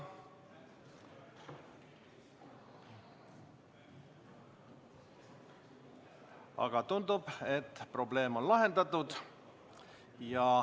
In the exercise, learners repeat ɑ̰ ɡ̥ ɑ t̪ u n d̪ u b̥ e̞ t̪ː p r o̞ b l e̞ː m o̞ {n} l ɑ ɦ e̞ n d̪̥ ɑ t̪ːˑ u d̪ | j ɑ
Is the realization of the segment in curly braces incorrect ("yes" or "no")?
no